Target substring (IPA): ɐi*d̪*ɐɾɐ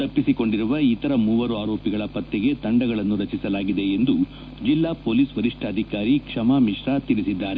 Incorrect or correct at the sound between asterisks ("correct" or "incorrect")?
incorrect